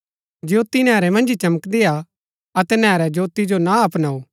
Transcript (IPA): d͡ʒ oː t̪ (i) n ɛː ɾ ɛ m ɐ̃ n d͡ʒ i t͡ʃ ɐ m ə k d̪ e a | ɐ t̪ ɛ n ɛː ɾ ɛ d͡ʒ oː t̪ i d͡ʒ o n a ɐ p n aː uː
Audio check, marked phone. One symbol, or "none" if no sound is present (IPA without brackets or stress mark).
i